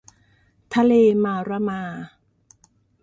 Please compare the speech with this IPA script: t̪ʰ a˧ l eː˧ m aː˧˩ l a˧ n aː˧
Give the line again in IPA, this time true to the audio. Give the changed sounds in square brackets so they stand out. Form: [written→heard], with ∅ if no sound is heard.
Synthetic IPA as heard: t̪ʰ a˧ l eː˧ m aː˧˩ [l→ɾ] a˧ [n→m] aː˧

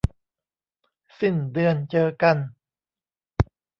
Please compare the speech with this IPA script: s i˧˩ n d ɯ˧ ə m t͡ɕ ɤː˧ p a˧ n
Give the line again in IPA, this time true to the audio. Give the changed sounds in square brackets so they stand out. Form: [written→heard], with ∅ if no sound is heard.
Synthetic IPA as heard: s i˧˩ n d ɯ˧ ə [m→n] t͡ɕ ɤː˧ [p→k] a˧ n

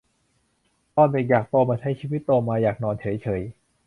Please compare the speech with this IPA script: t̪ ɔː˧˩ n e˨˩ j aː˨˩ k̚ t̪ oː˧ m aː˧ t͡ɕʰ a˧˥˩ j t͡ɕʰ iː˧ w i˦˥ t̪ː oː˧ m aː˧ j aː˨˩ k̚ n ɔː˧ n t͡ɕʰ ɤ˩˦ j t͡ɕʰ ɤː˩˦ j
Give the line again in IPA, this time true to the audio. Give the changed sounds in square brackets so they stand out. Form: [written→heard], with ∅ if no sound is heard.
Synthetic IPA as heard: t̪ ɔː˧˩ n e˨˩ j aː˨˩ k̚ t̪ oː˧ m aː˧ t͡ɕʰ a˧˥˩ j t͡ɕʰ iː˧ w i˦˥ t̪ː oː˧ m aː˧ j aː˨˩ k̚ n ɔː˧ n t͡ɕʰ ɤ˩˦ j t͡ɕʰ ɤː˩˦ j

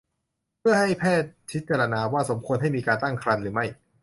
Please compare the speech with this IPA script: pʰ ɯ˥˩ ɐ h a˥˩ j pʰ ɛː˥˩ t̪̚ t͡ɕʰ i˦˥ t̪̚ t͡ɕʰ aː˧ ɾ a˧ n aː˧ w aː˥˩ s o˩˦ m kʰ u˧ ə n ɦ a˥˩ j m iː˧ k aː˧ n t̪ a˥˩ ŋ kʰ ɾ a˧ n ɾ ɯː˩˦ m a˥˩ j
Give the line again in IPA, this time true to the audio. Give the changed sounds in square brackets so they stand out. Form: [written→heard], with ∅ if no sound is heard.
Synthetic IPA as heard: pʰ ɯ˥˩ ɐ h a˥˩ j pʰ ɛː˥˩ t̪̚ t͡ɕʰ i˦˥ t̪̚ [t͡ɕʰ→t͡ɕ] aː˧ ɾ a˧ n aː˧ w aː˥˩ s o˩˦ m kʰ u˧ ə n ɦ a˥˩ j m iː˧ k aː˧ n t̪ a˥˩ ŋ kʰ ɾ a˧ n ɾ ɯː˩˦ m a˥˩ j

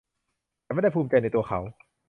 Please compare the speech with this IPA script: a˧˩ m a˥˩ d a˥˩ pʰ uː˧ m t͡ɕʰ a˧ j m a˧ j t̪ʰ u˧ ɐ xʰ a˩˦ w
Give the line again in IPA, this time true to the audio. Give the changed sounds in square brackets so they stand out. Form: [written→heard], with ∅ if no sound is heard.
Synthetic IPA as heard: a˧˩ m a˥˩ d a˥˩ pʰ uː˧ m [t͡ɕʰ→t͡ɕ] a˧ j [m→n] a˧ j [t̪ʰ→t̪] u˧ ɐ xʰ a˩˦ w

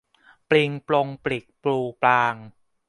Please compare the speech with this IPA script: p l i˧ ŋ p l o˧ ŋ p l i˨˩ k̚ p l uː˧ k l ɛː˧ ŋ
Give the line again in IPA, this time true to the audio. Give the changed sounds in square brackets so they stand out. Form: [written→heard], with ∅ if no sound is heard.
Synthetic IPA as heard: p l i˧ ŋ p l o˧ ŋ p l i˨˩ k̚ p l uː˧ [k→p] l [ɛː˧→aː˧] ŋ

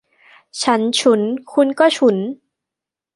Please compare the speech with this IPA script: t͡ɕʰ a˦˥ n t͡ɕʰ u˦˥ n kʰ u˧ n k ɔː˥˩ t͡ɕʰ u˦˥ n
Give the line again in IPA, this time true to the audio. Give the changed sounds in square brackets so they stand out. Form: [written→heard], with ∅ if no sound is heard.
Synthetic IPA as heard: t͡ɕʰ a˦˥ n t͡ɕʰ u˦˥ n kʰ u˧ n k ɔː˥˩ t͡ɕʰ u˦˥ n

